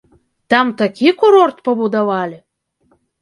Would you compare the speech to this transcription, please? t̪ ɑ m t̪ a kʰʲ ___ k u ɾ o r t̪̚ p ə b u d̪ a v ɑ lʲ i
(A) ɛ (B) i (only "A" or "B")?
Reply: B